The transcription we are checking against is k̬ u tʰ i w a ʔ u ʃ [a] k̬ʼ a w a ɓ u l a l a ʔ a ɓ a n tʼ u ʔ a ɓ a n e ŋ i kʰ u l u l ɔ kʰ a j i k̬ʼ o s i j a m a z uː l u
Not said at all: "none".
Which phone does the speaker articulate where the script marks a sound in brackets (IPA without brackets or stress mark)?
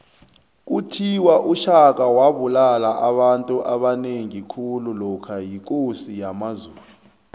a